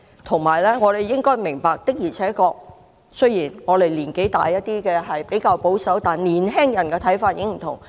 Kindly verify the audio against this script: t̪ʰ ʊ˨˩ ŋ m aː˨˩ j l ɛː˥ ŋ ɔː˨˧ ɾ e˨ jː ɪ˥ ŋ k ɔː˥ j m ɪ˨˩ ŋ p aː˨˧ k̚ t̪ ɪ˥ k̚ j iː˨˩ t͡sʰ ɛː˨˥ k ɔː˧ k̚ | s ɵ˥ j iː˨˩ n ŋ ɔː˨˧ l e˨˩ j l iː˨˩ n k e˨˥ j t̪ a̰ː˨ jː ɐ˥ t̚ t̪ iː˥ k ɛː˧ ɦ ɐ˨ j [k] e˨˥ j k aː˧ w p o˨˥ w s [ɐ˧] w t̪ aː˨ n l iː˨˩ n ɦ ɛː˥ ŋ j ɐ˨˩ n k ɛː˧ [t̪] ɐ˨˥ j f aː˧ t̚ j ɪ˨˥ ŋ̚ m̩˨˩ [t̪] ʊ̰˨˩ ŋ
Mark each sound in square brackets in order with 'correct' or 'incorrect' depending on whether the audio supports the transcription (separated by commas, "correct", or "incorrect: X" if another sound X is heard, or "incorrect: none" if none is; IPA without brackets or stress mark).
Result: incorrect: p, incorrect: ɐ˨˥, incorrect: t̪ʰ, incorrect: t̪ʰ